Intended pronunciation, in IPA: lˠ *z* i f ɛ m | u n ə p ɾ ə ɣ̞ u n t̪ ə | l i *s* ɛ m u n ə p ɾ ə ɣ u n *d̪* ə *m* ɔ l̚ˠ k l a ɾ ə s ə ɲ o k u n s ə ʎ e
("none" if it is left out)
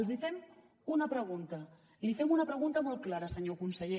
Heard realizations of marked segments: z, f, t̪, m

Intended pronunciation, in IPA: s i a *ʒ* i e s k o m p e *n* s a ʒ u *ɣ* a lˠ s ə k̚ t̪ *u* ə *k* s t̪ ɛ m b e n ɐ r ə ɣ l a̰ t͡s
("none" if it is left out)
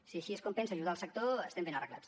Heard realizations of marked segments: ʃ, n, ð, o, none

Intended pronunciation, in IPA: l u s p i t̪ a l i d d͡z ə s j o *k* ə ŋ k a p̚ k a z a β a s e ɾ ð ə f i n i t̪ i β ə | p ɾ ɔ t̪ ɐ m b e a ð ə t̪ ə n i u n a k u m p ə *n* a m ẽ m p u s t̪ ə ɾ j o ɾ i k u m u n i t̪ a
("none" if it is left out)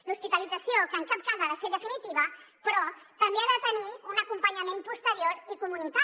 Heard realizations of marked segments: k, ɲ

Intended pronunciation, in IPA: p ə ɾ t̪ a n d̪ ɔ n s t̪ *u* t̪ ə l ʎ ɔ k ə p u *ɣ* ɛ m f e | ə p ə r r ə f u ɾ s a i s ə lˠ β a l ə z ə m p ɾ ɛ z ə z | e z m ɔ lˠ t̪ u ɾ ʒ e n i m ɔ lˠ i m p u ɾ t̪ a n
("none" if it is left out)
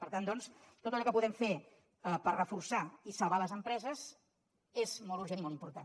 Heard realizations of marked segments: o, ð

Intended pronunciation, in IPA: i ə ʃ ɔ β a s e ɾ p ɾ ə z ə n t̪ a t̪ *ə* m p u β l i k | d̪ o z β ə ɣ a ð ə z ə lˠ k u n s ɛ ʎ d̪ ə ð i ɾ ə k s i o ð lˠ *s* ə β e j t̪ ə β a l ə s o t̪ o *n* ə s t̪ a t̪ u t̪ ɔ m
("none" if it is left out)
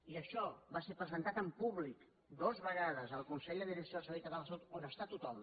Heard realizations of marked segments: ə, s, n

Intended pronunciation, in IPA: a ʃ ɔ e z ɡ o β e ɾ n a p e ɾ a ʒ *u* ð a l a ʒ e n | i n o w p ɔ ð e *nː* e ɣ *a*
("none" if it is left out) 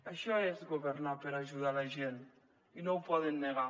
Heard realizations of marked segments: u, nː, a

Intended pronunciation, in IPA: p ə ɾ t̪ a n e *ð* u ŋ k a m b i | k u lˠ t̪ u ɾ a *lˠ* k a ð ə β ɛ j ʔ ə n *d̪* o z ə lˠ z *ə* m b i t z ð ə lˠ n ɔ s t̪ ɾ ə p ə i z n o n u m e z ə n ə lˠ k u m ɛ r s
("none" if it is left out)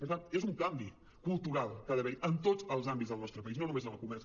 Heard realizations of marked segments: z, lˠ, t̪, a

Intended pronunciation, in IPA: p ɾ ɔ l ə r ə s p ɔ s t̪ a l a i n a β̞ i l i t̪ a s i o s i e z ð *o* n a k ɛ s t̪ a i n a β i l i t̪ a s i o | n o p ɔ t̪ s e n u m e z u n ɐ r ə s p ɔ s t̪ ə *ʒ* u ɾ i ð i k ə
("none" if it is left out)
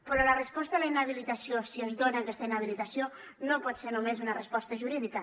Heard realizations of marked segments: o, ʒ

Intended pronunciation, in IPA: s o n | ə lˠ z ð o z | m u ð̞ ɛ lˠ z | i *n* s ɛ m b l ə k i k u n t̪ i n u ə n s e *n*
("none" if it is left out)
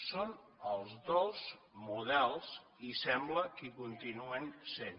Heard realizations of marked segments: none, n

